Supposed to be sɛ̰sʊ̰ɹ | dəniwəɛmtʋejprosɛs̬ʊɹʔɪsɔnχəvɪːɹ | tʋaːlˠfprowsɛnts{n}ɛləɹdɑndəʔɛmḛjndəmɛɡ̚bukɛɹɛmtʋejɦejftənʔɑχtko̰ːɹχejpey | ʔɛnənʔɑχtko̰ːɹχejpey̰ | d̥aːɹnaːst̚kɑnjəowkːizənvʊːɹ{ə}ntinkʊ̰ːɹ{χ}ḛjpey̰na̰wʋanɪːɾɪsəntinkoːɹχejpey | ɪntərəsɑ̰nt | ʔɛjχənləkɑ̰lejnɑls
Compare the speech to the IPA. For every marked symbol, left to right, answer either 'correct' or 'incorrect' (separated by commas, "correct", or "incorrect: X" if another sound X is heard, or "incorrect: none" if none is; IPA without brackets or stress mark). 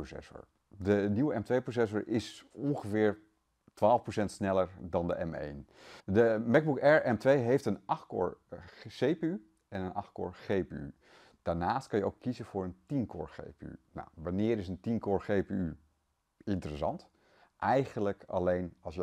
correct, correct, correct